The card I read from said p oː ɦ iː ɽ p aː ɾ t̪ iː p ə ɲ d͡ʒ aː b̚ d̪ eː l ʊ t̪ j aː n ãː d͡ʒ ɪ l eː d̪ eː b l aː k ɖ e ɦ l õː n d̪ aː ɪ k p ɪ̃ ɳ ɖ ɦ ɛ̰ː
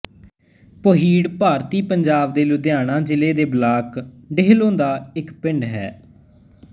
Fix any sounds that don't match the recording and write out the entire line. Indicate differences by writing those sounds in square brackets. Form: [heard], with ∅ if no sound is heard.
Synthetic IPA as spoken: p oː ɦ iː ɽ p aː ɾ t̪ iː p ə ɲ d͡ʒ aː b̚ d̪ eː l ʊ [d̪] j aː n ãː d͡ʒ ɪ l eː d̪ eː b l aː k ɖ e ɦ l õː n d̪ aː ɪ k p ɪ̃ ɳ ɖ ɦ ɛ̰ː